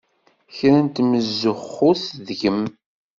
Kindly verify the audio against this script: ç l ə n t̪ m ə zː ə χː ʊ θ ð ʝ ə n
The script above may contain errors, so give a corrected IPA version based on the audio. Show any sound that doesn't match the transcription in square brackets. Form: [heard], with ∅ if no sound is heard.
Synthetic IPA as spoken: ç [ɾ] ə n t̪ m ə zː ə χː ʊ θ ð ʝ ə [m]